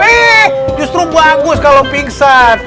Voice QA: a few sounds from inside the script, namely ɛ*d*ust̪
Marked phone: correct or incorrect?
incorrect